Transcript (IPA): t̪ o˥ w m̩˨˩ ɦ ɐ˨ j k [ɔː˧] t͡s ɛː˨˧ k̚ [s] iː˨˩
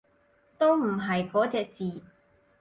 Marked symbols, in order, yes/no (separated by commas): no, no